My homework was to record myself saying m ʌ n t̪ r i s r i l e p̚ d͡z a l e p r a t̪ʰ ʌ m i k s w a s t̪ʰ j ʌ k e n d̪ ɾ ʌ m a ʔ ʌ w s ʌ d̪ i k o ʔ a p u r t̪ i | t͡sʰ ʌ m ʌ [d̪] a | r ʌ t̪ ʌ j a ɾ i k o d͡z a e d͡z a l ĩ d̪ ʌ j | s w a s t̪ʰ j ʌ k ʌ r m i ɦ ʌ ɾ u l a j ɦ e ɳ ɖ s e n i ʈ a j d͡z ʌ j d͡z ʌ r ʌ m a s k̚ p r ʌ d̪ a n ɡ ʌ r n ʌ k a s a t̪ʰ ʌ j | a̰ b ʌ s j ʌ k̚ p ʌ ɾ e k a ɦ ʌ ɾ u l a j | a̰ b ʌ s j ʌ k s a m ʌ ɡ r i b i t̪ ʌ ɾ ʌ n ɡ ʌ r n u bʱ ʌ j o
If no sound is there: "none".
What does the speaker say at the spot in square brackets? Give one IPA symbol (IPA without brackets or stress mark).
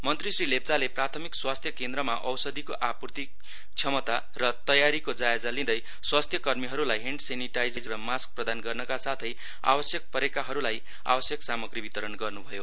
t̪